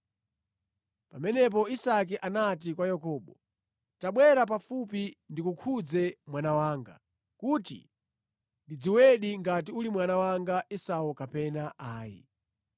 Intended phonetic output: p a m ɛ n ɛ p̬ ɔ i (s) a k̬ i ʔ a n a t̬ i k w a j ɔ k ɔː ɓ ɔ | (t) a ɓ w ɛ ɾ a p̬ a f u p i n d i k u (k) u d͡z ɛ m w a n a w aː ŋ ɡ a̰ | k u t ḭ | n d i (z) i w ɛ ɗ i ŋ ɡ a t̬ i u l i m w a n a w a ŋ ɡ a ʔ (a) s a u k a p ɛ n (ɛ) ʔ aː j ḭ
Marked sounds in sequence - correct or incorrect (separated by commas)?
correct, correct, incorrect, incorrect, incorrect, incorrect